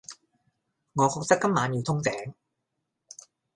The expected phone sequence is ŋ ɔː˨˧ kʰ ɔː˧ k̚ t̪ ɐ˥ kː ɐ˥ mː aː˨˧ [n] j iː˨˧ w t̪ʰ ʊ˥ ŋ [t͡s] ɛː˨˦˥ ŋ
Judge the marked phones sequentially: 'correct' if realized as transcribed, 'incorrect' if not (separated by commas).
correct, correct